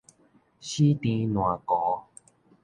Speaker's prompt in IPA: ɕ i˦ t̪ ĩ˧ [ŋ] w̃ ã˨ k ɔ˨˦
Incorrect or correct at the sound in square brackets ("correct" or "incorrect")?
incorrect